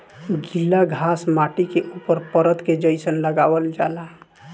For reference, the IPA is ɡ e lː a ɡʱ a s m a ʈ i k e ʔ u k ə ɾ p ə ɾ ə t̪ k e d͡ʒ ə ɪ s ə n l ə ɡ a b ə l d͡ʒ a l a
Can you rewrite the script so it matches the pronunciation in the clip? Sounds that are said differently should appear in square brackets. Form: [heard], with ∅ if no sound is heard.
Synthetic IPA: ɡ [i] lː a ɡʱ a s m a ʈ i k e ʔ u [p] ə ɾ p ə ɾ ə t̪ k e d͡ʒ ə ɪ s ə n l ə ɡ a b ə l d͡ʒ a l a